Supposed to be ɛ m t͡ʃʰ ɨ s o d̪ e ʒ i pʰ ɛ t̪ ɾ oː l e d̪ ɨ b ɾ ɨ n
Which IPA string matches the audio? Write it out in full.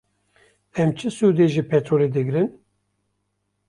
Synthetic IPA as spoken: ɛ m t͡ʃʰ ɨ s u d̪ e ʒ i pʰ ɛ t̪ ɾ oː l e d̪ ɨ ɡ ɾ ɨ n